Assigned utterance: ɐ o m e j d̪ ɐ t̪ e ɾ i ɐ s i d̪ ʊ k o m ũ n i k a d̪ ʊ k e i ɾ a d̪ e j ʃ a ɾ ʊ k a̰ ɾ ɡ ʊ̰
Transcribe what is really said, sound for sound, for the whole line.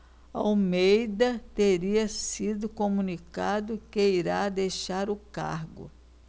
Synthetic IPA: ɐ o m e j d̪ ɐ t̪ e ɾ i ɐ s i d̪ ʊ k o m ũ n i k a d̪ ʊ k e i ɾ a d̪ e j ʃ a ɾ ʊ k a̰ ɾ ɡ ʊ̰